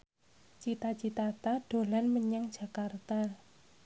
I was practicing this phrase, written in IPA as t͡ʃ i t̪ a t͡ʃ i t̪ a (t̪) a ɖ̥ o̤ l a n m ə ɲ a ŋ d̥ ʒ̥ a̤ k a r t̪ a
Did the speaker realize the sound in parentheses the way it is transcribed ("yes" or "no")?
yes